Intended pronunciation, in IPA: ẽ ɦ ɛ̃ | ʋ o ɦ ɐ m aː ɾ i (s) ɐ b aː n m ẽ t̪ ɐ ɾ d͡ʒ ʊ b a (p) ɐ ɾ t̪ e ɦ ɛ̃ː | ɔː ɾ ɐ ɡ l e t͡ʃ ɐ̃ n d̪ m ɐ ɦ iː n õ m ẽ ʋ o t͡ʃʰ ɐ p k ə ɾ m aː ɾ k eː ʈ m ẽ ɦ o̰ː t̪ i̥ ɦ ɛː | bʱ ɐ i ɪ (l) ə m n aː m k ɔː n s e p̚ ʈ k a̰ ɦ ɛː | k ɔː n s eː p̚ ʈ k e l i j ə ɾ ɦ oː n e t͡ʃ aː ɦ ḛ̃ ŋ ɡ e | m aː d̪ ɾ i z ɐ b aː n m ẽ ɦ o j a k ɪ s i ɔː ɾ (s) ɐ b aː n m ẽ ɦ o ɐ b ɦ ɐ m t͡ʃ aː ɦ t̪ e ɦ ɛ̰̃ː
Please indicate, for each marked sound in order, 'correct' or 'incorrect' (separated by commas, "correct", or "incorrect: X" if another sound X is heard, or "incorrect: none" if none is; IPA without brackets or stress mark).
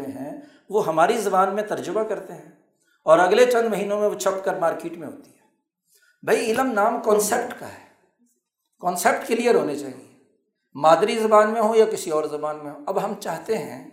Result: incorrect: z, incorrect: k, correct, incorrect: z